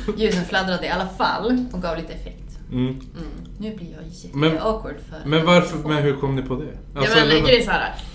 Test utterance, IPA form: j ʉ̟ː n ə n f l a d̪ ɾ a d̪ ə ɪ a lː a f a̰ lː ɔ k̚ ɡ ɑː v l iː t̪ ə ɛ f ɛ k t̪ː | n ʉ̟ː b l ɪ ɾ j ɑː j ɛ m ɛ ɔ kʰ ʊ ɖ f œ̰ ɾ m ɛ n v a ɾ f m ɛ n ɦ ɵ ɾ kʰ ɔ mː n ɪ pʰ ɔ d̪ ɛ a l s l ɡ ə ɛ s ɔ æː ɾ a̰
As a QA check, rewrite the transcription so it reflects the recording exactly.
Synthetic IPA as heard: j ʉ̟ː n ə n f l a d̪ ɾ a d̪ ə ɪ a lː a f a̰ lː ɔ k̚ ɡ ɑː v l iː t̪ ə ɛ f ɛ k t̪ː | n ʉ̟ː b l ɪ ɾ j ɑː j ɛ m ɛ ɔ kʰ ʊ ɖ f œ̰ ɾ m ɛ n v a ɾ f m ɛ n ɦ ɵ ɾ kʰ ɔ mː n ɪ pʰ ɔ d̪ ɛ a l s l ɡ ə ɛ s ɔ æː ɾ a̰